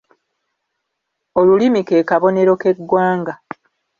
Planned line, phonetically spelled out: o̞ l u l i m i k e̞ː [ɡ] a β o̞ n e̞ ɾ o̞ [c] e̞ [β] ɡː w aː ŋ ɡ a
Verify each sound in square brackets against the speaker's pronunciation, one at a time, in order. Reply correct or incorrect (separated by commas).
incorrect, incorrect, incorrect